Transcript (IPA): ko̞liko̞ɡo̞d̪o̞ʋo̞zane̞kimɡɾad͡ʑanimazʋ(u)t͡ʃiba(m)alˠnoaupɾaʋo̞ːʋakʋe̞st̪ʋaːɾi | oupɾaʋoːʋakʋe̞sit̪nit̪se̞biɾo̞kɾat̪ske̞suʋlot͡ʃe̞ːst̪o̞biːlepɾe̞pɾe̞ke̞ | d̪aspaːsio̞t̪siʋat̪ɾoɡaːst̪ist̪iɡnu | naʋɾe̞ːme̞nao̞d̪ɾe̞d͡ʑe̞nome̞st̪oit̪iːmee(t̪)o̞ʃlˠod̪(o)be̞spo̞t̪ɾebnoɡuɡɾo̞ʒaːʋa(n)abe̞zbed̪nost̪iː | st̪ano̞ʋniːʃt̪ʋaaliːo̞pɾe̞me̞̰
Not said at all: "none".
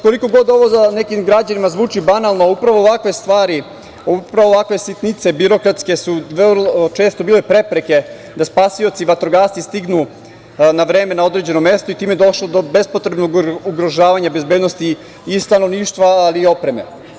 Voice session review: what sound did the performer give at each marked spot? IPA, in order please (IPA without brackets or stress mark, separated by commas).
uː, n, d̪, o, ɲ